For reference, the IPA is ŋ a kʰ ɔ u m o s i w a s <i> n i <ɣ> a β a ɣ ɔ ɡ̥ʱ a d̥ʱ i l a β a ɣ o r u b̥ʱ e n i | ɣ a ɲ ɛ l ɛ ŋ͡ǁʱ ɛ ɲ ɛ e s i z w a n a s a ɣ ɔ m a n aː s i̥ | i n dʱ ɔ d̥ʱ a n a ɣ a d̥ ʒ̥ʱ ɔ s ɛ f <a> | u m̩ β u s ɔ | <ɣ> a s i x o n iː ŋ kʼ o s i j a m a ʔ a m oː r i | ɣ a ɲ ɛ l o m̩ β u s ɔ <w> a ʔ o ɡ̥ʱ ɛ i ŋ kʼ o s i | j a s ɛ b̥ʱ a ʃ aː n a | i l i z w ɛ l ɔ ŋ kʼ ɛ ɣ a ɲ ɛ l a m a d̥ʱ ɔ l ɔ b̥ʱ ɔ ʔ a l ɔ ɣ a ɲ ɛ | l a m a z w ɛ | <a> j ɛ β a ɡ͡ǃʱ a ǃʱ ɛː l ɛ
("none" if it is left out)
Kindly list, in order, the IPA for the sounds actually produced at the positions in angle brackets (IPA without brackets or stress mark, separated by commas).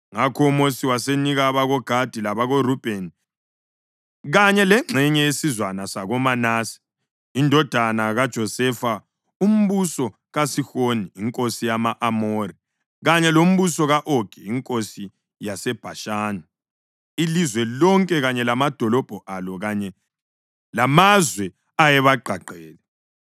e, ɣ, a, ɣ, ɣ, a